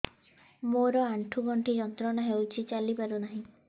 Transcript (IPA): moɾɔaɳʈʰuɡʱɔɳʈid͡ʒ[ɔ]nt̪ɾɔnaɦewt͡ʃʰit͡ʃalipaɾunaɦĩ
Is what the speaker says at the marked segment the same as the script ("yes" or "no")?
yes